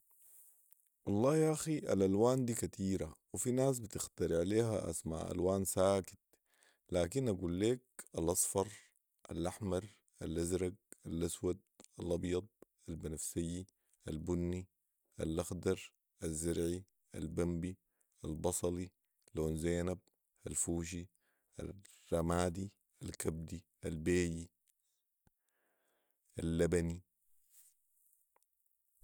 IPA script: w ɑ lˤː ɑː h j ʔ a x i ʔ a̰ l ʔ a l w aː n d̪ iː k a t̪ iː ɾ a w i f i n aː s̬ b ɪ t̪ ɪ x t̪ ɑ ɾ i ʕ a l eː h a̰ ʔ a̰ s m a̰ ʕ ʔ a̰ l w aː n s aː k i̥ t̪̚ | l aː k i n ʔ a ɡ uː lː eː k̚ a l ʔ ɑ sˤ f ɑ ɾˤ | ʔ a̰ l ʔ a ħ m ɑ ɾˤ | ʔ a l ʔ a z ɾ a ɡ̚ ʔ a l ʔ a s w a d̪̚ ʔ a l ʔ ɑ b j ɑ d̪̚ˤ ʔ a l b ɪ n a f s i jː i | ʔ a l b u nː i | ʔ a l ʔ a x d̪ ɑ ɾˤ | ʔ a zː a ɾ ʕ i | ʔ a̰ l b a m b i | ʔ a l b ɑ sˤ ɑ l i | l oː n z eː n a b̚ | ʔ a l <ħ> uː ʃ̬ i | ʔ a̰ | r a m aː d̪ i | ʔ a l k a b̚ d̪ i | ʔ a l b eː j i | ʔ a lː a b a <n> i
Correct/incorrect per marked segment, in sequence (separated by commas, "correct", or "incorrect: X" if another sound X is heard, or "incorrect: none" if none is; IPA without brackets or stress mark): incorrect: f, correct